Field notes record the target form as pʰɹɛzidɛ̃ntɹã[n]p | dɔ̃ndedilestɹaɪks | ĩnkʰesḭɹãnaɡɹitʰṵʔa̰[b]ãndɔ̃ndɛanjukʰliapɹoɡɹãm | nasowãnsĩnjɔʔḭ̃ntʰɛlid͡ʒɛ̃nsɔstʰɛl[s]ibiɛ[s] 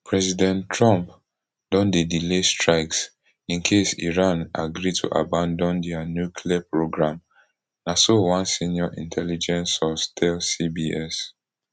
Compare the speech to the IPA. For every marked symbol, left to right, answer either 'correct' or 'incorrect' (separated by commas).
incorrect, correct, correct, correct